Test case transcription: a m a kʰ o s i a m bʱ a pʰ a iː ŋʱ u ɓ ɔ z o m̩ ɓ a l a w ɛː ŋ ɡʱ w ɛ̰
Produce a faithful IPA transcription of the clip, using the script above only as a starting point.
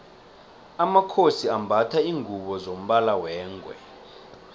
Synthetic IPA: a m a kʰ o s i a m bʱ a tʰ a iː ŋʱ u ɓ ɔ z o m̩ ɓ a l a w ɛː ŋ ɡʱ w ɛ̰